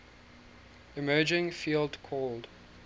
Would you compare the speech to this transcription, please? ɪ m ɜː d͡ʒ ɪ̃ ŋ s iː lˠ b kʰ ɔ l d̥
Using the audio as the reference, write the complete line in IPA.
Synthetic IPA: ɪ m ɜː d͡ʒ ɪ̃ ŋ f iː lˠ d kʰ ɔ l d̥